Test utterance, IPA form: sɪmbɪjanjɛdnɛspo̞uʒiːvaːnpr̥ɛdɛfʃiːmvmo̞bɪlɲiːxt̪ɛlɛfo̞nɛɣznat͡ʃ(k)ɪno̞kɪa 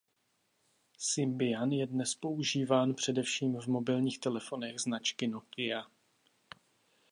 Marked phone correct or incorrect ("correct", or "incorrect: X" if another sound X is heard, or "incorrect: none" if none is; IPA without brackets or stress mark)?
correct